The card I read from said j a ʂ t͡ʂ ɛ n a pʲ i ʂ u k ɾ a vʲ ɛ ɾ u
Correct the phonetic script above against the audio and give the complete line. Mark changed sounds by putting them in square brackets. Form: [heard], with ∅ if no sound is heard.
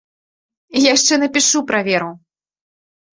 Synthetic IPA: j a ʂ t͡ʂ ɛ n [ɐ] pʲ i ʂ u [p] ɾ a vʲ ɛ ɾ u